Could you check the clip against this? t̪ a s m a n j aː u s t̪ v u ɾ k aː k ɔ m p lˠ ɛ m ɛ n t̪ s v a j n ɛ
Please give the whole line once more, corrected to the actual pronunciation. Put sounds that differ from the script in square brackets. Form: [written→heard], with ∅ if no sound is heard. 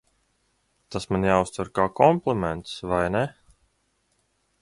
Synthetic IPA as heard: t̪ a s m a n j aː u s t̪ v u ɾ k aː k ɔ m p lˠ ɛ m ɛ n t̪ s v a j n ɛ